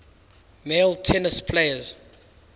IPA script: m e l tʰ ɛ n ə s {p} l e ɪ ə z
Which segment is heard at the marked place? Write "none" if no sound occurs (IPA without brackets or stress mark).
pʰ